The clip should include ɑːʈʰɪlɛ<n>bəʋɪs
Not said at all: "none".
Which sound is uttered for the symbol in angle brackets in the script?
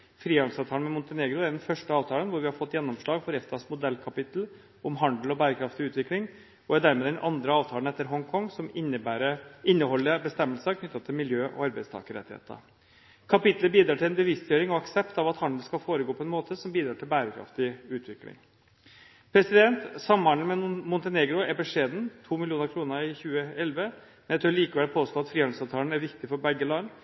n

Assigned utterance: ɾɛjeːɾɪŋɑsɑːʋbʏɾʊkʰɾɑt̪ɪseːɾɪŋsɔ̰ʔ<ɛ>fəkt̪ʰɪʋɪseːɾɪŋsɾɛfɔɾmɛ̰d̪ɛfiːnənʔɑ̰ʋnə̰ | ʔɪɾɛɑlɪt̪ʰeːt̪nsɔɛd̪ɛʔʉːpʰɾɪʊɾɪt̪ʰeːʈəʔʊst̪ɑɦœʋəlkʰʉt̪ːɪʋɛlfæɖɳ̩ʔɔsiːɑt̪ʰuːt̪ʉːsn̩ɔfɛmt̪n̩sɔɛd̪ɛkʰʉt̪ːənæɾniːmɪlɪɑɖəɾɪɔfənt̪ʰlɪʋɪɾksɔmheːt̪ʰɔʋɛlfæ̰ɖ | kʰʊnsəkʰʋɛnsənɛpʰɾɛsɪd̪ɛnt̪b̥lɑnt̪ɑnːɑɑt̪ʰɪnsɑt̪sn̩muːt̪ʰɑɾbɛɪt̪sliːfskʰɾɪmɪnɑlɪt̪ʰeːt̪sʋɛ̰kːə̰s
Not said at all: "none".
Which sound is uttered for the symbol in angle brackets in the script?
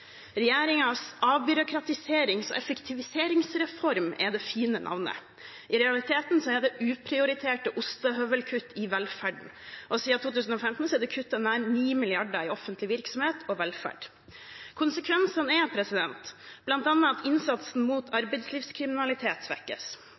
ɛ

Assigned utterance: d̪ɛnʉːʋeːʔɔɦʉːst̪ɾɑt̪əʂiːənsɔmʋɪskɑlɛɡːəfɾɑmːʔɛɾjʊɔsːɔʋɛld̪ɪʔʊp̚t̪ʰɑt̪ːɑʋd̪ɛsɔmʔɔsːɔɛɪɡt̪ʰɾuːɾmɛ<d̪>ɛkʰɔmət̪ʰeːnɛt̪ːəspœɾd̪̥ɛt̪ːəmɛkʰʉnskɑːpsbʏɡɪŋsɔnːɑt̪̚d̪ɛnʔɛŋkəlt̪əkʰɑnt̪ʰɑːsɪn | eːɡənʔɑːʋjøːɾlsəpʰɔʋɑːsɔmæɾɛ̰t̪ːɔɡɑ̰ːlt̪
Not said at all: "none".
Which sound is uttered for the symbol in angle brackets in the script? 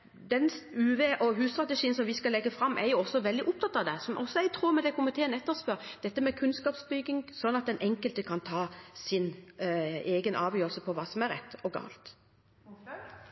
d̪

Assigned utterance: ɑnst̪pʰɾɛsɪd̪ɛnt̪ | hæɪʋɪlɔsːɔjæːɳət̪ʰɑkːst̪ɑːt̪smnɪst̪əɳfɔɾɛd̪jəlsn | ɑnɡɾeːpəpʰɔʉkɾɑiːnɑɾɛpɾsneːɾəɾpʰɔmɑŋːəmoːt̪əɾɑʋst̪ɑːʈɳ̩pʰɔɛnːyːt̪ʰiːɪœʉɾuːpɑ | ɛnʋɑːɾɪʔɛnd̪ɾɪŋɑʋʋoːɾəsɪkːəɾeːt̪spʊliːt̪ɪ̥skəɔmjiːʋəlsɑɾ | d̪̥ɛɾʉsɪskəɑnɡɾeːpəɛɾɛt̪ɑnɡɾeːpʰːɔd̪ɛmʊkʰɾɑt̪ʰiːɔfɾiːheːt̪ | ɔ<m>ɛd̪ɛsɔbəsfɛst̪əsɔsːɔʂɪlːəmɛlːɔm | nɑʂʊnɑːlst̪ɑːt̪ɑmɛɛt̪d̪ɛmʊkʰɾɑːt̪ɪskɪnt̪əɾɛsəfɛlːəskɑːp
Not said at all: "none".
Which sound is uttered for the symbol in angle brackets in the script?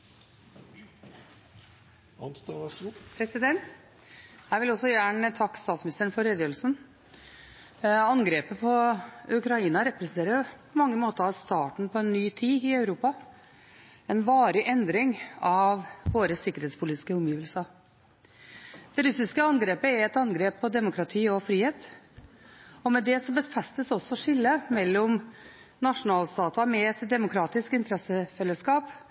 m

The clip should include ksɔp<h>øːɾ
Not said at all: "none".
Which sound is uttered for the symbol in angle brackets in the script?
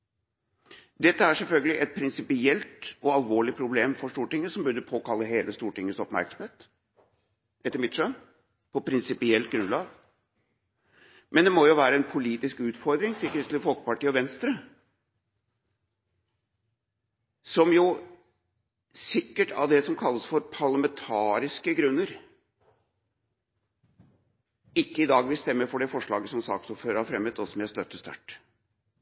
f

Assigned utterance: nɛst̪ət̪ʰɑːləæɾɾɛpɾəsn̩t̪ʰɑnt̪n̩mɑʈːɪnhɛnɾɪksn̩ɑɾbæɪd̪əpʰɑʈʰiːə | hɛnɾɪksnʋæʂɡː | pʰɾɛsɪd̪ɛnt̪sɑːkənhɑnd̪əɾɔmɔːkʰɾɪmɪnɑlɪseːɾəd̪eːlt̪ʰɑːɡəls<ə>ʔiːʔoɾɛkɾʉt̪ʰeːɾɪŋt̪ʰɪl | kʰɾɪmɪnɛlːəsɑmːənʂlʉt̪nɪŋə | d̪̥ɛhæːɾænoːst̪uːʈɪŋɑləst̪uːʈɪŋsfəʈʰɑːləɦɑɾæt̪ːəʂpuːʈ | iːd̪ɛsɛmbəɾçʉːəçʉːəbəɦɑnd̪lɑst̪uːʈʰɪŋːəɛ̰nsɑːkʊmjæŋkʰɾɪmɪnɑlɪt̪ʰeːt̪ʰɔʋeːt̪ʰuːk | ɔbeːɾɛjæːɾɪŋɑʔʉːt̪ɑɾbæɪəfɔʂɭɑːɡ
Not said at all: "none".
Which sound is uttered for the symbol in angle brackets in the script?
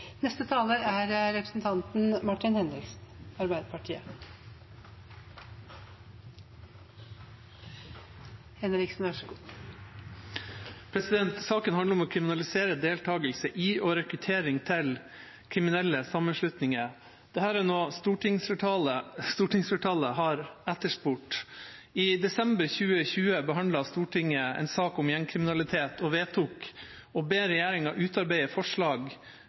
ə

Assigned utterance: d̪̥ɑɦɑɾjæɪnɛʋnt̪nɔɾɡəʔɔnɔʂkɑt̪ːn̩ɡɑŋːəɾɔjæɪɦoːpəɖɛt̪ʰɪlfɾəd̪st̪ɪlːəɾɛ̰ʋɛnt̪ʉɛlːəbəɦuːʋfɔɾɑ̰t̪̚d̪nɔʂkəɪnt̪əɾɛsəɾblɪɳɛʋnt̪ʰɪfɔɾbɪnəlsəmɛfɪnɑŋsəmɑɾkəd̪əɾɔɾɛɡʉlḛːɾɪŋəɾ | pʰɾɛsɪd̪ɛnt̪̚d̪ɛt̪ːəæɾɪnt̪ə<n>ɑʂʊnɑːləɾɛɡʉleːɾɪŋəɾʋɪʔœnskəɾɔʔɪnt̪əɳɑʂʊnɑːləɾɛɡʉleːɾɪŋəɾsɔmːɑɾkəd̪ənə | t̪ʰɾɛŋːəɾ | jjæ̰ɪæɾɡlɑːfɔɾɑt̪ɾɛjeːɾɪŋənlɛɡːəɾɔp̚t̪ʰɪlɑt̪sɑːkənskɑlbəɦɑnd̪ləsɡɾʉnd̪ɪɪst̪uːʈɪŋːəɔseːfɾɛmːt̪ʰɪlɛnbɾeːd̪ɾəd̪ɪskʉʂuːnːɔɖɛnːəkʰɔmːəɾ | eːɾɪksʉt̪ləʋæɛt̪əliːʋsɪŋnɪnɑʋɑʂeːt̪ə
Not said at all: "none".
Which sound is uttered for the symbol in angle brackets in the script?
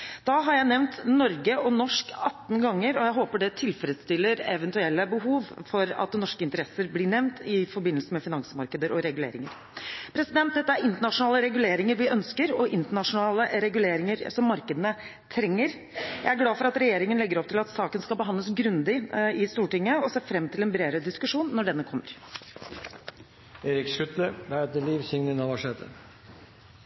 ɳ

